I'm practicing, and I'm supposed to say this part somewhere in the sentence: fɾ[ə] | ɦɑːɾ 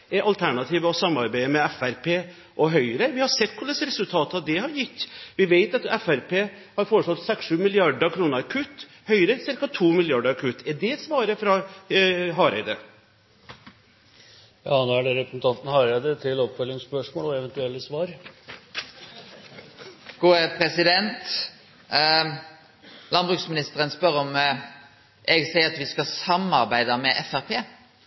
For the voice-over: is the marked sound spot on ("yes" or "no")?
no